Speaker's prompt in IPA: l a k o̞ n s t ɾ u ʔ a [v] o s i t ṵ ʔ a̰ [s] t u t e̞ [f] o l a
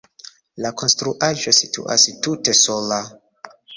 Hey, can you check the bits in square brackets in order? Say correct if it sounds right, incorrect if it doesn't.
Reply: incorrect: ʒ, correct, incorrect: s

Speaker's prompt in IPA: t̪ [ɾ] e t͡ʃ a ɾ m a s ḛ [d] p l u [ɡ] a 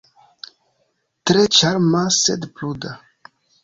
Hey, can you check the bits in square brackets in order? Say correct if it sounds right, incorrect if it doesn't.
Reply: correct, correct, incorrect: d

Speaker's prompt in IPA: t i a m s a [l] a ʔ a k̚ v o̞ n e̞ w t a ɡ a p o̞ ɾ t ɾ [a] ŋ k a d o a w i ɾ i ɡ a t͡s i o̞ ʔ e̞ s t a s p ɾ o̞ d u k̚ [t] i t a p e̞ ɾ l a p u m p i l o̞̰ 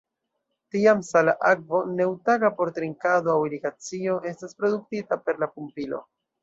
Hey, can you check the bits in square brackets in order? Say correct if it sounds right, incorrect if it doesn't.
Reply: correct, incorrect: i, correct

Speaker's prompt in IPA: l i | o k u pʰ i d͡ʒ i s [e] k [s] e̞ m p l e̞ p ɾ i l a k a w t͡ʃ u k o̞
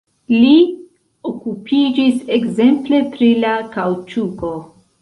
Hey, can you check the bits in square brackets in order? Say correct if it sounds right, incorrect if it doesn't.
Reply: correct, incorrect: z

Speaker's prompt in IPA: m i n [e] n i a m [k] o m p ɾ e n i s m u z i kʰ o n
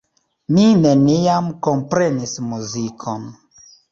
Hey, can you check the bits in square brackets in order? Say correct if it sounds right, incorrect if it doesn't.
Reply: correct, correct

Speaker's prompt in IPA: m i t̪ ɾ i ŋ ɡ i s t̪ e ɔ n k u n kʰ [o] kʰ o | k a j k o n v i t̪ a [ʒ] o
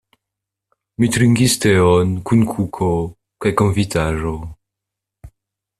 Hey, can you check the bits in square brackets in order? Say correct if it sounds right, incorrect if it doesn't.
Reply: incorrect: u, correct

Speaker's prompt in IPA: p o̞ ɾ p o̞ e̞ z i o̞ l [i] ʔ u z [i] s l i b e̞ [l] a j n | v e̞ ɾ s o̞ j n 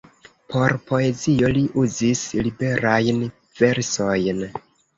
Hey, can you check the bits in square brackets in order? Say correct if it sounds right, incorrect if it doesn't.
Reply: correct, correct, incorrect: ɾ

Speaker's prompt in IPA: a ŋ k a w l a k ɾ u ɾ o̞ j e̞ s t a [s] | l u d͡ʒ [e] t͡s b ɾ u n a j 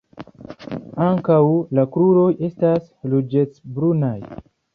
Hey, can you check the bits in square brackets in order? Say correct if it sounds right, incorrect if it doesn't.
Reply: correct, correct

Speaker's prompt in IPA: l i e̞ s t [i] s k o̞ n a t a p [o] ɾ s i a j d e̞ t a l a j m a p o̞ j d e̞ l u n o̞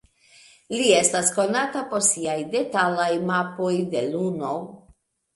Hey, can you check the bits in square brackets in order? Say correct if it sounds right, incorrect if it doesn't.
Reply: incorrect: a, correct

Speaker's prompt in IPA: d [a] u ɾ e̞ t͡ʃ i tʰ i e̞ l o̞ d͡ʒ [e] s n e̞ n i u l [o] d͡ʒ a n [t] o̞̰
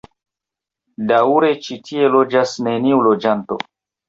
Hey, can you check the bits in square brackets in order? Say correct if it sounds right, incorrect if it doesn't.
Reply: correct, incorrect: a, correct, correct

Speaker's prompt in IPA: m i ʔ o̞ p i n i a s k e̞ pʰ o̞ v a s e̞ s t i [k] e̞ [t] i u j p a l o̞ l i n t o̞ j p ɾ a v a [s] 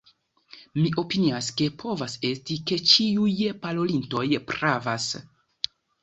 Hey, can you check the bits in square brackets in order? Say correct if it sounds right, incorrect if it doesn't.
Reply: correct, incorrect: t͡ʃ, correct

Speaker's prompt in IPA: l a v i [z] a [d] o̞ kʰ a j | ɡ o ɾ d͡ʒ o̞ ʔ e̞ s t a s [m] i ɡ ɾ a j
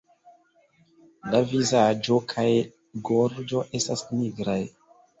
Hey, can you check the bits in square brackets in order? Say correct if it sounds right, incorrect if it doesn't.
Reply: correct, incorrect: d͡ʒ, incorrect: n

